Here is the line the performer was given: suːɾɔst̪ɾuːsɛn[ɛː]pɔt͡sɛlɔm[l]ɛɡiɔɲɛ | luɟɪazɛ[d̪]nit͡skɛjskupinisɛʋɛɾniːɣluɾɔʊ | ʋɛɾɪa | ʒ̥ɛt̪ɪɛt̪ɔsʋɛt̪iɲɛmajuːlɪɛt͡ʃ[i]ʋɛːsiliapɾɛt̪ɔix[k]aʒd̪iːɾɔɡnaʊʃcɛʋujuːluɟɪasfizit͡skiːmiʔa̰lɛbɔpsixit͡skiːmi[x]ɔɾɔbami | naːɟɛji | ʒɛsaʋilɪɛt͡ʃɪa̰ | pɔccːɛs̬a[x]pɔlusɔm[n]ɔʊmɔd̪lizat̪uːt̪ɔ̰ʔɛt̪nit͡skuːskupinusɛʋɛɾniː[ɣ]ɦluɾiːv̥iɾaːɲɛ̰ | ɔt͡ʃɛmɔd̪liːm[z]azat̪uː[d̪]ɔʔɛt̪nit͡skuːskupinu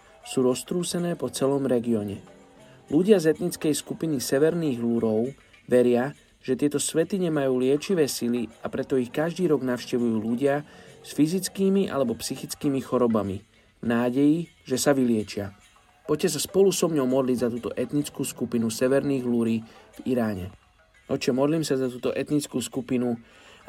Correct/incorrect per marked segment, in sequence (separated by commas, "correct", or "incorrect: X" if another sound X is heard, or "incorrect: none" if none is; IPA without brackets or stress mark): correct, incorrect: ɾ, incorrect: t̪, correct, correct, correct, incorrect: s, incorrect: ɲ, correct, incorrect: s, incorrect: t̪